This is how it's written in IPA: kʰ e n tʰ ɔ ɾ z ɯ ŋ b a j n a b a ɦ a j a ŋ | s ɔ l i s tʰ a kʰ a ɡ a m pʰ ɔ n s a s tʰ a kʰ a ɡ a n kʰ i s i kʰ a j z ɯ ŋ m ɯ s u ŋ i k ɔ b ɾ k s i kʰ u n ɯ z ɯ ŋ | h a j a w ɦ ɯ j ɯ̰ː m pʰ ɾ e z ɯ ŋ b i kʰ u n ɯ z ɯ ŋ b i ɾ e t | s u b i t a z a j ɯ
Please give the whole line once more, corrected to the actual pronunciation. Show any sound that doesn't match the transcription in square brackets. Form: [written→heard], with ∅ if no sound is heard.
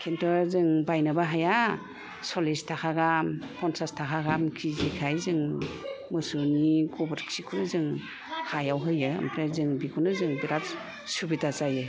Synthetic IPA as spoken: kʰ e n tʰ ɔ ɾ z ɯ ŋ b a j n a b a ɦ a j a [ŋ→∅] | s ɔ l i s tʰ a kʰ a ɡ a m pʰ ɔ n s a s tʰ a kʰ a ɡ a [n→m] kʰ i [s→z] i kʰ a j z ɯ ŋ m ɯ s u [ŋ→n] i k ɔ b ɾ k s i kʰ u n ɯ z ɯ ŋ | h a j a w ɦ ɯ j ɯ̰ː m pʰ ɾ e z ɯ ŋ b i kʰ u n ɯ z ɯ ŋ b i ɾ [e→a] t | s u b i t a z a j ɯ

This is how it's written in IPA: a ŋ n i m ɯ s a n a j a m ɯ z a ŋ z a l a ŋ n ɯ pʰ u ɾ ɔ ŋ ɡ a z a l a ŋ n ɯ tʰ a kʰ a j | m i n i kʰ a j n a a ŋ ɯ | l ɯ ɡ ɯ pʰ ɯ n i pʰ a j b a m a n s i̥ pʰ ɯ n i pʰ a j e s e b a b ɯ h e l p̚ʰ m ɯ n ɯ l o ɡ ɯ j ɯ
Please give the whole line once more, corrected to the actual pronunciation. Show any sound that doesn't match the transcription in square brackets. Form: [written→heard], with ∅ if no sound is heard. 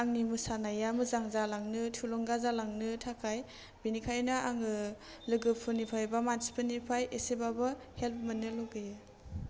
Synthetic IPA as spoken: a ŋ n i m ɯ s a n a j a m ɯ z a ŋ z a l a ŋ n ɯ [pʰ→tʰ] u [ɾ→l] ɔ ŋ ɡ a z a l a ŋ n ɯ tʰ a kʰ a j | [m→b] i n i kʰ a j n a a ŋ ɯ | l ɯ ɡ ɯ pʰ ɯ n i pʰ a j b a m a n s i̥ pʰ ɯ n i pʰ a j e s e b a b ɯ h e l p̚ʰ m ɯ n ɯ l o ɡ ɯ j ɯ

